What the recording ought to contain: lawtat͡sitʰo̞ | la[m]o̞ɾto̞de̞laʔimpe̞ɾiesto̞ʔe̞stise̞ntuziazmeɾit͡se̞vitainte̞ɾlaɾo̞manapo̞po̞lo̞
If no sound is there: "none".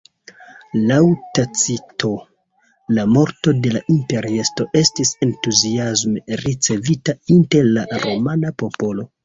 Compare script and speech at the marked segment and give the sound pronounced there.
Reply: m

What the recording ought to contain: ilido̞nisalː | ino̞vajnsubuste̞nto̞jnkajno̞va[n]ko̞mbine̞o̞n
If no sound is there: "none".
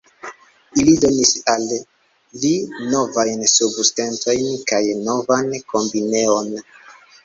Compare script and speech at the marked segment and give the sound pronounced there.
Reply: n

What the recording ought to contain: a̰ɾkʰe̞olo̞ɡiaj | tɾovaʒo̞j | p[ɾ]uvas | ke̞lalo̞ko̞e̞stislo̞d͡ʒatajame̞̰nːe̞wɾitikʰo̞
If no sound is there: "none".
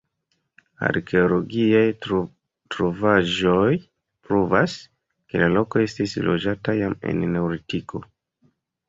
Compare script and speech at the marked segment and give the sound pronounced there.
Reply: ɾ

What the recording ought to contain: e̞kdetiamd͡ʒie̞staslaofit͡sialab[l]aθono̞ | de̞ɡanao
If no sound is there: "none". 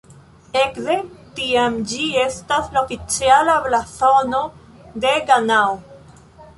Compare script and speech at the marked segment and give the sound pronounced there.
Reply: l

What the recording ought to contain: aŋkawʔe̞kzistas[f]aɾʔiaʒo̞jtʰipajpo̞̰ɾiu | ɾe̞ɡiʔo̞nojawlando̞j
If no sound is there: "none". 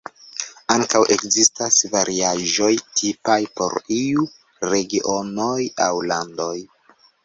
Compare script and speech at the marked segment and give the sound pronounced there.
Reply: v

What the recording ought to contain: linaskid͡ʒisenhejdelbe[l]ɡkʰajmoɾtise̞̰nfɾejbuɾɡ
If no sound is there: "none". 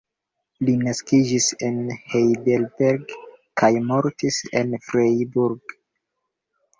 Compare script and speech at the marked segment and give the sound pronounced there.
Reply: ɾ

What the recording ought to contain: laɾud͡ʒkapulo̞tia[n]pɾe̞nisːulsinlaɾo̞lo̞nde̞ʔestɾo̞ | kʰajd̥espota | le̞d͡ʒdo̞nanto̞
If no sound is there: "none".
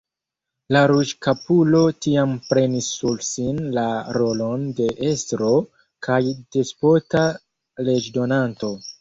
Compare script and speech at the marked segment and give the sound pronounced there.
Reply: m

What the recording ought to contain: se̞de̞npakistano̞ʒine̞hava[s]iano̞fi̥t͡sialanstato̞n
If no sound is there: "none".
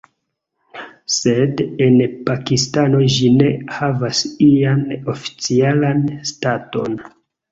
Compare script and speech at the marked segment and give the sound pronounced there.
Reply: s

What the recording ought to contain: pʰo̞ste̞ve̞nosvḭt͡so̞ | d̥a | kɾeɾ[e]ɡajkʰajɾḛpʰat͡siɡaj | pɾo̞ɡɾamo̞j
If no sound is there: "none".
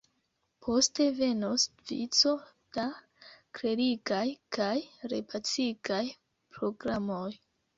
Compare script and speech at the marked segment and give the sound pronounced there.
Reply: i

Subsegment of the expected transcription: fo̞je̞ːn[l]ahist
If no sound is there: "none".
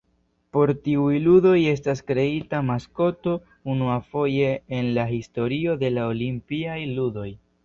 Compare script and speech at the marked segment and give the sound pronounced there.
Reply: l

